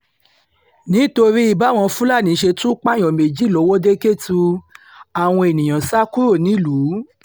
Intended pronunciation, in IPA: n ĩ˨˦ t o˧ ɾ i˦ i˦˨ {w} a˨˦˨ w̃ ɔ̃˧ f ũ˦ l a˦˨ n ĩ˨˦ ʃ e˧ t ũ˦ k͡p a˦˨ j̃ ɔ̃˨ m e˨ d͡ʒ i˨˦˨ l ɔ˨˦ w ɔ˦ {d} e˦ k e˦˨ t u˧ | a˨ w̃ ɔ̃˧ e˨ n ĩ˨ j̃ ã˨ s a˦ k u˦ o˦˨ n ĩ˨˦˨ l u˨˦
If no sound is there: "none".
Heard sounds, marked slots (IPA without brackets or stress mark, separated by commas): b, d